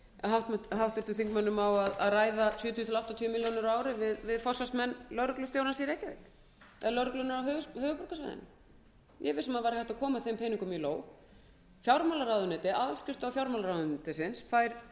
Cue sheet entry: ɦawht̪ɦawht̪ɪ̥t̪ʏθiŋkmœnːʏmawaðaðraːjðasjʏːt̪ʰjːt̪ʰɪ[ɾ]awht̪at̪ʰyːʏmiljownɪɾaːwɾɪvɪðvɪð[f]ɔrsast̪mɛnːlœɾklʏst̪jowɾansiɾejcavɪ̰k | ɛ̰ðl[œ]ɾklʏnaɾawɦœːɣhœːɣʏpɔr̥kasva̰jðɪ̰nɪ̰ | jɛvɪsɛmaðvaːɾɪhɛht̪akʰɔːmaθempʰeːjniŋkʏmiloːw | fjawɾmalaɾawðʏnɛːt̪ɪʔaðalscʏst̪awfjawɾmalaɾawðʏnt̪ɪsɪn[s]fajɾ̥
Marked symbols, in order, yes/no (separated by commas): no, yes, yes, yes